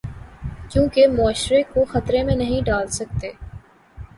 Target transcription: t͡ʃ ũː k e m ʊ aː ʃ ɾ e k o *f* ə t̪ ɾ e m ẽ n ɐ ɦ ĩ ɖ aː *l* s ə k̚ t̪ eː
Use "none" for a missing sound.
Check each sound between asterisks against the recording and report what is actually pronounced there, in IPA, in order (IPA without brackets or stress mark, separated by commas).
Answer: x, l